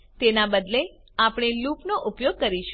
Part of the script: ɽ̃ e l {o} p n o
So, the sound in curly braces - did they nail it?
no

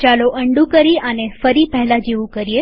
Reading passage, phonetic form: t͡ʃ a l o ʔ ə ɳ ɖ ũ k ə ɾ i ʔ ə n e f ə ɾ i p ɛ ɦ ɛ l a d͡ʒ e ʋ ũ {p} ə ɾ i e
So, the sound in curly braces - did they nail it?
no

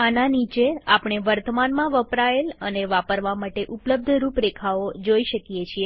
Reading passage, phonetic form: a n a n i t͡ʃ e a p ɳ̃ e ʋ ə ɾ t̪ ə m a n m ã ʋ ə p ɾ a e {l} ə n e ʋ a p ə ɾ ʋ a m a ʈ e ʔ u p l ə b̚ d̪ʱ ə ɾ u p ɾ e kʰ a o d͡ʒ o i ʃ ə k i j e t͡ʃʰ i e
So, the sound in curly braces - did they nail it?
yes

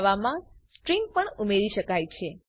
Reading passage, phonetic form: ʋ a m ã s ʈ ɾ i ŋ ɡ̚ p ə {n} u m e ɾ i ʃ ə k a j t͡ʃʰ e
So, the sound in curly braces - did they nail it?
no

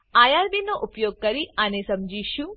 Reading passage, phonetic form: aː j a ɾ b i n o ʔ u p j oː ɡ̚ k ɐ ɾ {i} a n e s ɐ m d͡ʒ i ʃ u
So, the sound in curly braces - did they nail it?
yes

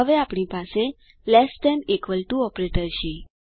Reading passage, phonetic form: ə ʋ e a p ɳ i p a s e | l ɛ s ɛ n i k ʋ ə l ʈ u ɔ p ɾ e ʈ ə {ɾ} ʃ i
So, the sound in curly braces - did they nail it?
yes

